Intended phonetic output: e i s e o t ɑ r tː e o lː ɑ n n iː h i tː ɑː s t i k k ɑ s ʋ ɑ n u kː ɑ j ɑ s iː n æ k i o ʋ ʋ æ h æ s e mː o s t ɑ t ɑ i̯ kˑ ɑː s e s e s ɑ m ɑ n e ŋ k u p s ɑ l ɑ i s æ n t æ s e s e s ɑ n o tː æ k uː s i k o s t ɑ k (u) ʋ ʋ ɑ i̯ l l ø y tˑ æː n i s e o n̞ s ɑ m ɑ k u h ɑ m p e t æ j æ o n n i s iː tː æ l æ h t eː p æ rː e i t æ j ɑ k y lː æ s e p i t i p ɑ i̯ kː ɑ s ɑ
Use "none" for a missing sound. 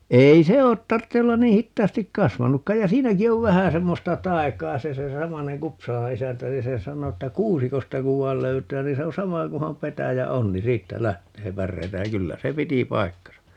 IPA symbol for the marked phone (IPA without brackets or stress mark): u